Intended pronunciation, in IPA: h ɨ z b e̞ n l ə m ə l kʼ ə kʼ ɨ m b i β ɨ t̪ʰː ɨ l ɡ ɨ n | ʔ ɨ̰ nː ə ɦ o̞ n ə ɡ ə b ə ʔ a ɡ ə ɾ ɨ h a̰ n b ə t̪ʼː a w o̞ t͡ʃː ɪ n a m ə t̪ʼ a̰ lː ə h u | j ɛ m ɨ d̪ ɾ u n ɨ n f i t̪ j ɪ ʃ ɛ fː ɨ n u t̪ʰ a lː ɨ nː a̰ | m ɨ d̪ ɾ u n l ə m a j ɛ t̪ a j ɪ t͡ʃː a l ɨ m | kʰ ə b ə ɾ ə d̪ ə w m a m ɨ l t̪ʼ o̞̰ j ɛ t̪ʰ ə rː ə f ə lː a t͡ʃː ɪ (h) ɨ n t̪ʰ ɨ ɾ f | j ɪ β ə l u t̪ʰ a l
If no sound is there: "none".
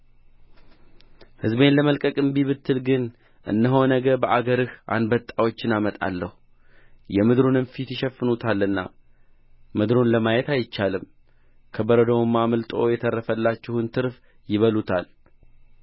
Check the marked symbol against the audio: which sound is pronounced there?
h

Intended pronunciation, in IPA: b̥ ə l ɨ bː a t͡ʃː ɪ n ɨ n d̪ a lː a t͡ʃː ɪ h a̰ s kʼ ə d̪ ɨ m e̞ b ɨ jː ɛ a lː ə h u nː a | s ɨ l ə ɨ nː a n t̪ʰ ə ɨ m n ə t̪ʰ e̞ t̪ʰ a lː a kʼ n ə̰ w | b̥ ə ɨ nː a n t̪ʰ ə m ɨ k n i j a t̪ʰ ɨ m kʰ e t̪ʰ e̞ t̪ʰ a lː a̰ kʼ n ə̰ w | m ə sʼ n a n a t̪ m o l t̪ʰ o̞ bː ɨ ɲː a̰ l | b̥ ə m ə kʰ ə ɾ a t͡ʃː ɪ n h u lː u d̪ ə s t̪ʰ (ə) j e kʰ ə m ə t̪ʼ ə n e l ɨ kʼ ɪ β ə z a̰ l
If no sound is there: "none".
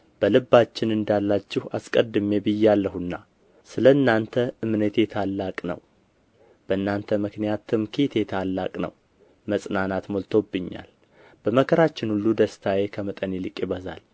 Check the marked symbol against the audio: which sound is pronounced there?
a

